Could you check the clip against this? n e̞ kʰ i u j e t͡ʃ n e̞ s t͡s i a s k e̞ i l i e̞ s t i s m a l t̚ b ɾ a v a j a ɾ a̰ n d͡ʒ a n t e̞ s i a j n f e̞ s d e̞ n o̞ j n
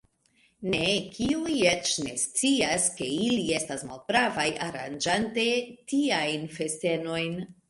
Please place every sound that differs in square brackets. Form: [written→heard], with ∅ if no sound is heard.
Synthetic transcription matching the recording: n e̞ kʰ i u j e t͡ʃ n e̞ s t͡s i a s k e̞ i l i e̞ s t [i→a] s m a l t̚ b ɾ a v a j a ɾ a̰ n d͡ʒ a n t e̞ [s→t] i a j n f e̞ s [d→t] e̞ n o̞ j n